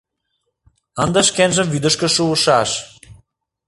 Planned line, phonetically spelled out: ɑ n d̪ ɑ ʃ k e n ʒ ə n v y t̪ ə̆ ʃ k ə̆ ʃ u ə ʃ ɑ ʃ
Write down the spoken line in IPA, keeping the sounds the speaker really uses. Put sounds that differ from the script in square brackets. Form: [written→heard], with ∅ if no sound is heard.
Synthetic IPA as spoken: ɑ n d̪ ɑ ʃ k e n ʒ ə [n→m] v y [t̪→d̪] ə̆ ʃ k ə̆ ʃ u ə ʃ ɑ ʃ